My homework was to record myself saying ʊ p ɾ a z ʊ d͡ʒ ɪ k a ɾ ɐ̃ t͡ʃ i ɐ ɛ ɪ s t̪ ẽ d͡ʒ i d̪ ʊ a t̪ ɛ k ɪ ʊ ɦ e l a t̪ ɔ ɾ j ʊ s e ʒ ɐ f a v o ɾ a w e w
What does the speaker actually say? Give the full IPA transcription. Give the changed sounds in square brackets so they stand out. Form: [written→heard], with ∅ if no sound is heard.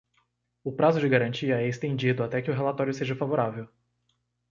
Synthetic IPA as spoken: ʊ p ɾ a z ʊ d͡ʒ ɪ [k→ɡ] a ɾ ɐ̃ t͡ʃ i ɐ ɛ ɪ s t̪ ẽ d͡ʒ i d̪ ʊ a t̪ ɛ k ɪ ʊ ɦ e l a t̪ ɔ ɾ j ʊ s e ʒ ɐ f a v o ɾ a [w→v] e w